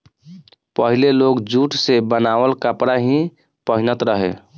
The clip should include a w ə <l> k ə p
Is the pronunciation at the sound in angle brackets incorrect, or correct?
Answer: correct